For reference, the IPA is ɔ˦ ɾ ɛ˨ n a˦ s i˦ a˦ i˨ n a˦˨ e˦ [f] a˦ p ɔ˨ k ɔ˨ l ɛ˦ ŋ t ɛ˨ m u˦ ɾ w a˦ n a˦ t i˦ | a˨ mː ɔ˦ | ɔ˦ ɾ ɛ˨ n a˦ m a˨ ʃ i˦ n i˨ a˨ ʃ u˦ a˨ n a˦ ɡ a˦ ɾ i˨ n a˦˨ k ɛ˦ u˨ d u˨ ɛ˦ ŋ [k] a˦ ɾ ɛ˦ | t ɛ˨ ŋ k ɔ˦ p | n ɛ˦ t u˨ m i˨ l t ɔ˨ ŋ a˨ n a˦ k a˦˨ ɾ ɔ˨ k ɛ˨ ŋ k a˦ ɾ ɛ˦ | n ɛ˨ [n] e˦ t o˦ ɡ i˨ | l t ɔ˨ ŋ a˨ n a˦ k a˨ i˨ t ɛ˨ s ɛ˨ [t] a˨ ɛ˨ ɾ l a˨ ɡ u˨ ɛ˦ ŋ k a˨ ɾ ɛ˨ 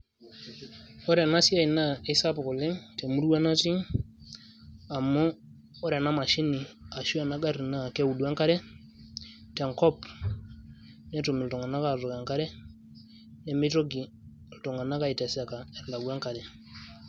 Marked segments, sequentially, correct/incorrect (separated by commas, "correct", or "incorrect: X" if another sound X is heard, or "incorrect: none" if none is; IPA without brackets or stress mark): incorrect: s, correct, incorrect: m, incorrect: k